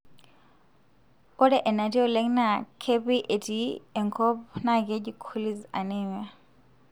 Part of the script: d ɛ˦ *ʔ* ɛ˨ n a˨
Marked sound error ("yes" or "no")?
no